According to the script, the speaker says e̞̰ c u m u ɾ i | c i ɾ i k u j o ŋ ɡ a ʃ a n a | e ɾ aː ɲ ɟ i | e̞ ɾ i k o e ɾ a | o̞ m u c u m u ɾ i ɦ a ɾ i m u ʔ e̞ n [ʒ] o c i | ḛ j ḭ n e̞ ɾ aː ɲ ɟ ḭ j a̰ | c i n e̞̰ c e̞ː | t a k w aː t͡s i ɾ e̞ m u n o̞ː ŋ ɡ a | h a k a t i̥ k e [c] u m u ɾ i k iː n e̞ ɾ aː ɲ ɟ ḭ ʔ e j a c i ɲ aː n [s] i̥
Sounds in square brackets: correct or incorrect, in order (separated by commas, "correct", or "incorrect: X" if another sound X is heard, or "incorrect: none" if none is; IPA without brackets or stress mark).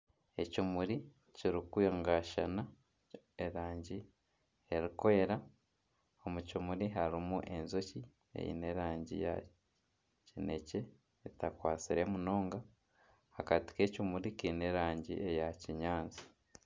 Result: incorrect: z, correct, incorrect: z